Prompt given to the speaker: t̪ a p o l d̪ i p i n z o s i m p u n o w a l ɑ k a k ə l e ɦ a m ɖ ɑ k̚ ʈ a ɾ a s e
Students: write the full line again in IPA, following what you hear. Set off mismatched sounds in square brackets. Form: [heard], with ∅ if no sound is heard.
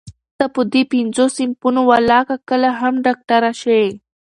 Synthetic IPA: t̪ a p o [∅] d̪ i p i n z o s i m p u n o w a l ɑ k a k ə l [a] ɦ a m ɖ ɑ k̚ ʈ a ɾ a [ʃ] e